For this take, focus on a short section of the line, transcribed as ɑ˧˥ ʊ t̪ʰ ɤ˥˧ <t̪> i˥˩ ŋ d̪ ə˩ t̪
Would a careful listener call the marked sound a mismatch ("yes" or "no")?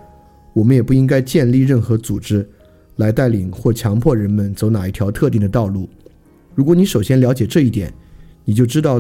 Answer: no